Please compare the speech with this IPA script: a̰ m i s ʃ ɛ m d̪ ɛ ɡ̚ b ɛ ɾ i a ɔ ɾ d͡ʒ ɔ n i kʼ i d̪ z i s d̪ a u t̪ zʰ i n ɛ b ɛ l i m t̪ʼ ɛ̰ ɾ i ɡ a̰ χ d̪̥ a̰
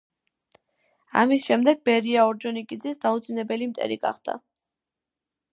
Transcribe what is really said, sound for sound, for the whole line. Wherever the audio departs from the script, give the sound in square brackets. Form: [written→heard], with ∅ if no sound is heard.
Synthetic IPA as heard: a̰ m i s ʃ ɛ m d̪ ɛ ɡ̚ b ɛ ɾ i a ɔ ɾ d͡ʒ ɔ n i kʼ i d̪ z i s d̪ a u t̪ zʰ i n ɛ b ɛ l i m t̪ʼ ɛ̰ ɾ i ɡ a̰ χ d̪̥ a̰